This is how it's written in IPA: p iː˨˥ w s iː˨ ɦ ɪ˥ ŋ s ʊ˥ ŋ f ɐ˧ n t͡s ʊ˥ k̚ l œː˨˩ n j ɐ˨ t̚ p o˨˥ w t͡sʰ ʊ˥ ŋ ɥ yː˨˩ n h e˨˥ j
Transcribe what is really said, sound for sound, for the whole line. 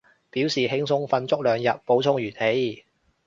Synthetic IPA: p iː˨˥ w s iː˨ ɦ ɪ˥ ŋ s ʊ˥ ŋ f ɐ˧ n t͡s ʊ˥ k̚ l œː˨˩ ŋ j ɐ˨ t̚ p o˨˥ w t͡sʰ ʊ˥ ŋ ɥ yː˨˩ n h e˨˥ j